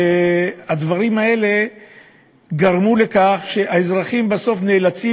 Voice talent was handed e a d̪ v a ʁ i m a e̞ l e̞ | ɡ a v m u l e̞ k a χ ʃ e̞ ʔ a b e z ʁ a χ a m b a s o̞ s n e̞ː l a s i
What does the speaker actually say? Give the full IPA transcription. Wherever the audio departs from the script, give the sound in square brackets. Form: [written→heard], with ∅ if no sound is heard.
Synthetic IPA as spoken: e a d̪ v a ʁ i m a e̞ l e̞ | ɡ a [v→ʁ] m u l e̞ k a χ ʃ e̞ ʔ a [b→∅] e z ʁ a χ [a→i] m b a s o̞ [s→f] n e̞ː l a [s→t͡s] i